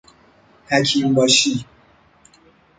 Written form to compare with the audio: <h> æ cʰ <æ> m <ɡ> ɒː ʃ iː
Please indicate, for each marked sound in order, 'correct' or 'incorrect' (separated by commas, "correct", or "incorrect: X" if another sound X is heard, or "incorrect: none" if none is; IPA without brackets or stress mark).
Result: correct, incorrect: i, incorrect: b